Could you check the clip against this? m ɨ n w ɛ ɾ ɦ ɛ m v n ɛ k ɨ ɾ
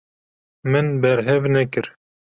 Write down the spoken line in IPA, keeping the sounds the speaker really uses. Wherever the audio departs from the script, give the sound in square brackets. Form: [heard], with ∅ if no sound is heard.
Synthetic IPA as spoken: m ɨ n [b] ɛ ɾ ɦ ɛ [∅] v n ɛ k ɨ ɾ